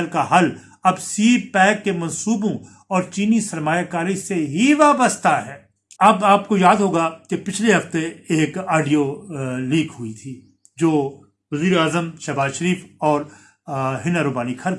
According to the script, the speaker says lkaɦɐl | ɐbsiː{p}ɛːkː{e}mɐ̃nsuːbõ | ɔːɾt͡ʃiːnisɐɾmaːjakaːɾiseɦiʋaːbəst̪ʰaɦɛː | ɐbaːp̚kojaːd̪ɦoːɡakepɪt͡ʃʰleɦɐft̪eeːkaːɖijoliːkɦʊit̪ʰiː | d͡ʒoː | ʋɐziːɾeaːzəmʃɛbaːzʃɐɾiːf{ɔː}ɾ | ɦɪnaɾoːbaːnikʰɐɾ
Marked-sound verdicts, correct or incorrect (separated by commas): correct, correct, correct